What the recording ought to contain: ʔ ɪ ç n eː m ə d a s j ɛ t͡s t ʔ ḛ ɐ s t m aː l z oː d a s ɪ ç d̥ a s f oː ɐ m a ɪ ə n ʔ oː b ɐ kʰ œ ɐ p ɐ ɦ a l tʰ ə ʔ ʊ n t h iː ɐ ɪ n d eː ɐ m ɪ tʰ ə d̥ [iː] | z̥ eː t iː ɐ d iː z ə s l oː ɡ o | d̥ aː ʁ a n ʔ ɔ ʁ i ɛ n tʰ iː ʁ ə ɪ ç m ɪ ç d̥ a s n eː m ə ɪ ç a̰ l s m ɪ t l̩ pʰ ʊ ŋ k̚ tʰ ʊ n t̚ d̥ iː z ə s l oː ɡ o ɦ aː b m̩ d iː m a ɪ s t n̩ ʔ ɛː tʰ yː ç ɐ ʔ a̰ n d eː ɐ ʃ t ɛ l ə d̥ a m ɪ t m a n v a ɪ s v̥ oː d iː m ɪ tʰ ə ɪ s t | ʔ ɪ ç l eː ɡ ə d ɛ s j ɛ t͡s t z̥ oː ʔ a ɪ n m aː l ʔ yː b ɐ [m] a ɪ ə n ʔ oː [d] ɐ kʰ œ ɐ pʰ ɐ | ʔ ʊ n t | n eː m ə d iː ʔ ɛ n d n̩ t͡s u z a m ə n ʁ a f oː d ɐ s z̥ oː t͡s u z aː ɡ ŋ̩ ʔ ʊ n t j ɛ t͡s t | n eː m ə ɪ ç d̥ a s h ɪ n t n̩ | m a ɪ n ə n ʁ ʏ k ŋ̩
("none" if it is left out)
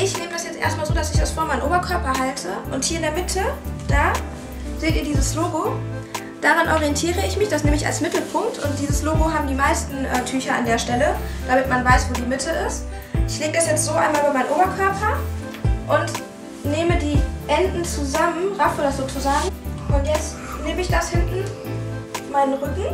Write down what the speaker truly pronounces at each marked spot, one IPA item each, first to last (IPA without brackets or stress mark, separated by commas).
aː, m, b